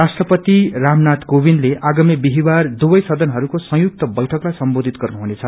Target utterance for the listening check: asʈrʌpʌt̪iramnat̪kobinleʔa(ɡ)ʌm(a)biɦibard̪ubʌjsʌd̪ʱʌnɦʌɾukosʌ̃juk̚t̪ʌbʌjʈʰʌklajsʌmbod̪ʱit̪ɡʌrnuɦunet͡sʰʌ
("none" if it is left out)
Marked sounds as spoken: ɡ, i

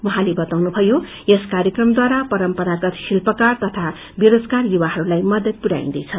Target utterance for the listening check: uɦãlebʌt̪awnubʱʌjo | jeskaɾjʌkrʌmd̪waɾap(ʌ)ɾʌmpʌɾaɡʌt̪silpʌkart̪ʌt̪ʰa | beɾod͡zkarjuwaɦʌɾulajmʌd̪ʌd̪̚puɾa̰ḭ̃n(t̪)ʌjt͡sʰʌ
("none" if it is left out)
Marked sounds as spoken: ʌ, d̪

